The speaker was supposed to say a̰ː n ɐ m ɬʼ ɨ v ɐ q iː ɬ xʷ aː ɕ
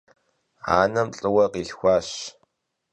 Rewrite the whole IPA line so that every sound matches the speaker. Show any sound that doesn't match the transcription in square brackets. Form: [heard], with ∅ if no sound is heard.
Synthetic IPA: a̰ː n ɐ m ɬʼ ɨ [w] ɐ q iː ɬ xʷ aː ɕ